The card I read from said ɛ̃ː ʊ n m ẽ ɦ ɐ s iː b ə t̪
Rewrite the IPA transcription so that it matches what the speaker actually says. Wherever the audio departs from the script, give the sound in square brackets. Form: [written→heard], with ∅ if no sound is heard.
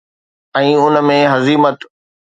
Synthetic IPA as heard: ɛ̃ː ʊ n m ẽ ɦ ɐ [s→z] iː [b→m] ə t̪

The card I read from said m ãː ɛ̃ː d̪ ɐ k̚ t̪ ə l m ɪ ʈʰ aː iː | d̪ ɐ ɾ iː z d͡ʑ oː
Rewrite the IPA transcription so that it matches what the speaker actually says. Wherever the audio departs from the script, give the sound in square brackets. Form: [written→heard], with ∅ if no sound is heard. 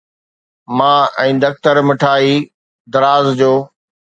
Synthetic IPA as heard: m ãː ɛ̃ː d̪ ɐ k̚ t̪ ə [l→ɾ] m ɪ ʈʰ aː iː | d̪ ɐ ɾ [iː→aː] z d͡ʑ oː

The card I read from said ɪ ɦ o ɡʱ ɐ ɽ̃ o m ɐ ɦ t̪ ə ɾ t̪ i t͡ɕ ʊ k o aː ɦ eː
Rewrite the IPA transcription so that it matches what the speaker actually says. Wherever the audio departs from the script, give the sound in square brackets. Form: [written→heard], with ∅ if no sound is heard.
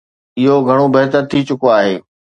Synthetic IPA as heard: ɪ ɦ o ɡʱ ɐ ɽ̃ o [m→b] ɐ ɦ t̪ ə ɾ [t̪→t̪ʰ] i t͡ɕ ʊ k o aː ɦ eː

